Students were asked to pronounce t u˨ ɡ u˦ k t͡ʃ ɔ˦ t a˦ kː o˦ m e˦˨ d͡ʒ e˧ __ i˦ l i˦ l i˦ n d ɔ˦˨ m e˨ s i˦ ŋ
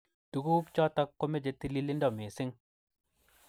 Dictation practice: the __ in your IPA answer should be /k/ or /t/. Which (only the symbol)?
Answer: t